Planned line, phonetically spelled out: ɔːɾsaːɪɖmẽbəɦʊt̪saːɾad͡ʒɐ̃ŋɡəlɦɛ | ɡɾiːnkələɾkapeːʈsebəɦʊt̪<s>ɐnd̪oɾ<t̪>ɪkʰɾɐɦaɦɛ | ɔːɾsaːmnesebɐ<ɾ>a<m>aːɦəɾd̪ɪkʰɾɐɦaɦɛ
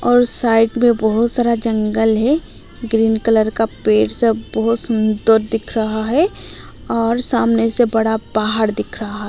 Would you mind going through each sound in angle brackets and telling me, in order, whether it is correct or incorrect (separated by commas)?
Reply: correct, incorrect, incorrect, incorrect